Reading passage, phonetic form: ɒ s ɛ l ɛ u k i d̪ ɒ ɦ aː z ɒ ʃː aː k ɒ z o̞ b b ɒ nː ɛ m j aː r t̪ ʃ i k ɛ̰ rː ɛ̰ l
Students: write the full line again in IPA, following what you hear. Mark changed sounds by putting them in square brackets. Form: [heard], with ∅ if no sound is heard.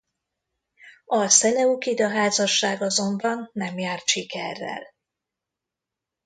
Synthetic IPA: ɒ s ɛ l ɛ u k i d̪ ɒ ɦ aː z ɒ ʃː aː [ɡ] ɒ z o̞ [m] b ɒ nː ɛ m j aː r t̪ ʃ i k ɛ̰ rː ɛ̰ l